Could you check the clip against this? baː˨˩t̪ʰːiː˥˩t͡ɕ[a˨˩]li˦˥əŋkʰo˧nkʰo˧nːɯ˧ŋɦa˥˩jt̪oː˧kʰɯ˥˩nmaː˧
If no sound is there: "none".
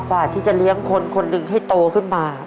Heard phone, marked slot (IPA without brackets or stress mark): a˨˩